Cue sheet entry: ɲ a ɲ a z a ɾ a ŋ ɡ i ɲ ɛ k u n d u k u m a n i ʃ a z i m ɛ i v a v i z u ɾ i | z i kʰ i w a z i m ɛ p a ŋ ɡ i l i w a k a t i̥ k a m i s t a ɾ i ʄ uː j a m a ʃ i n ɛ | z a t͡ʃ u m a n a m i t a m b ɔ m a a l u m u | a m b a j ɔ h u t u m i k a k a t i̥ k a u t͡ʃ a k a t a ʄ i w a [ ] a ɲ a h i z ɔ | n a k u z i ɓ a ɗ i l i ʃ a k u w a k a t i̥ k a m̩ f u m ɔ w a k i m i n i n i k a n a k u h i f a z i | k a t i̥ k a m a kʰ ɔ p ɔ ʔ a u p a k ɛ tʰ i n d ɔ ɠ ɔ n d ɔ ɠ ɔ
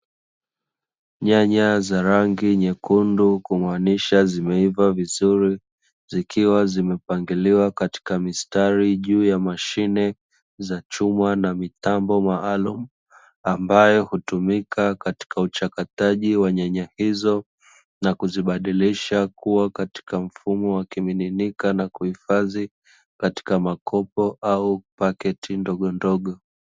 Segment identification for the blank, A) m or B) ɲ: B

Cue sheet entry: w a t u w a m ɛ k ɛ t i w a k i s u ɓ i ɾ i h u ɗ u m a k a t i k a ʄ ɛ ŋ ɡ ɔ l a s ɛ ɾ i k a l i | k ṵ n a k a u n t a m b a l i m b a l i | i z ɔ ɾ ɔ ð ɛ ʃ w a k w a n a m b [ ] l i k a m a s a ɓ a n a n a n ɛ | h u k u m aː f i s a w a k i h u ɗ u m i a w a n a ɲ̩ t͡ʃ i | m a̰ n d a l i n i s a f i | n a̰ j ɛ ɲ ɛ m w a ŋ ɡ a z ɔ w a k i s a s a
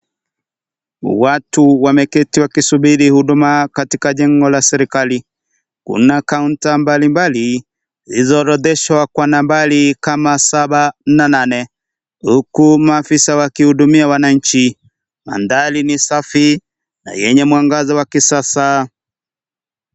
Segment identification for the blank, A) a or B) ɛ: A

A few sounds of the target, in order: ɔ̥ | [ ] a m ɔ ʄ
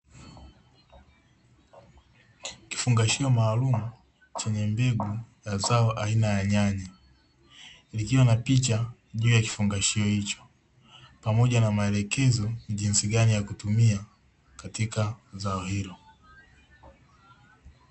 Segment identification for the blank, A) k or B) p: B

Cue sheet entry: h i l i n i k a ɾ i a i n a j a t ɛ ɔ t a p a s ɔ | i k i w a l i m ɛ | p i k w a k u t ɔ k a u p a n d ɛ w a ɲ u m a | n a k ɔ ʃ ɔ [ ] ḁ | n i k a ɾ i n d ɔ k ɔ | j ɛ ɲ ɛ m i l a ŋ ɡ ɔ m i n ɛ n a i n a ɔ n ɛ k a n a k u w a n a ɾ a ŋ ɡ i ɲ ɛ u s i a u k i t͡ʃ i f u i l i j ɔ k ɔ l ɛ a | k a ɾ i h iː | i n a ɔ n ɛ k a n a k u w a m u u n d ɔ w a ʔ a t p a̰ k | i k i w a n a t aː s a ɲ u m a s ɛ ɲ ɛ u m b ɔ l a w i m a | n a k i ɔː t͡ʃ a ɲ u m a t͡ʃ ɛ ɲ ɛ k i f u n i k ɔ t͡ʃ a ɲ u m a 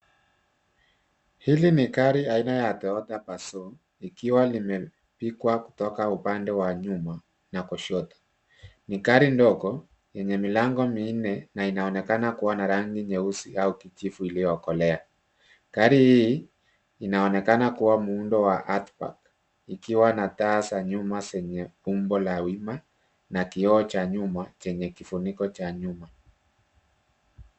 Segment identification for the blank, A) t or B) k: A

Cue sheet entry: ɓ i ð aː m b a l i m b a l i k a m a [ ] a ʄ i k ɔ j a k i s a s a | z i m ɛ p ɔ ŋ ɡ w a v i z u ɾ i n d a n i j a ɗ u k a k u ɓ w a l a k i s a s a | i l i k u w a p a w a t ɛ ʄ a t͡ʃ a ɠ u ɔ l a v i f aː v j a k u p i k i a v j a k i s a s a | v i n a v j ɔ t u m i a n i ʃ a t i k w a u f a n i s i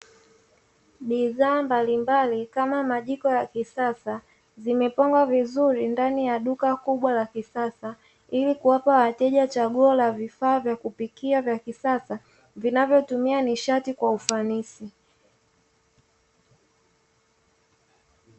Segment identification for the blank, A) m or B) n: A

